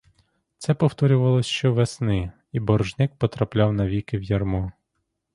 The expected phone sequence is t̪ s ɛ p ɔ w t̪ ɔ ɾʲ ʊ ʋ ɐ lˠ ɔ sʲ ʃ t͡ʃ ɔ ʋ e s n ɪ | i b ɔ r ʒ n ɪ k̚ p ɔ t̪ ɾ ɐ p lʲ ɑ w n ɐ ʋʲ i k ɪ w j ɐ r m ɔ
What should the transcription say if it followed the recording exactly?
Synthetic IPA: t̪ s ɛ p ɔ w t̪ ɔ ɾʲ ʊ ʋ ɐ lˠ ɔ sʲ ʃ t͡ʃ ɔ ʋ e s n ɪ | i b ɔ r ʒ n ɪ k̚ p ɔ t̪ ɾ ɐ p lʲ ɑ w n ɐ ʋʲ i k ɪ w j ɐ r m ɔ